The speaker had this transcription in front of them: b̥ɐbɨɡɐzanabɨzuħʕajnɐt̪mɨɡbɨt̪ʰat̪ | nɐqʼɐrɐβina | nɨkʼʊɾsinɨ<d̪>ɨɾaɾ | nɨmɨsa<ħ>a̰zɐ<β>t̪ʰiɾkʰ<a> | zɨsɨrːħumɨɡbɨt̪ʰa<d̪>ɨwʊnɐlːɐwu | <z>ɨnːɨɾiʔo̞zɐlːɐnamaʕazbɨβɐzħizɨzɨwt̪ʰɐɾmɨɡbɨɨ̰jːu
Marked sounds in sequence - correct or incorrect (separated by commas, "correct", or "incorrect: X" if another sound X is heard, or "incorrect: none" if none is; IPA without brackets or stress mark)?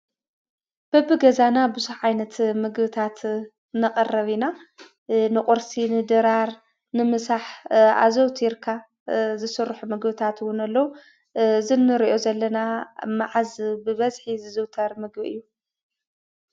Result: correct, correct, incorrect: w, correct, incorrect: t̪, correct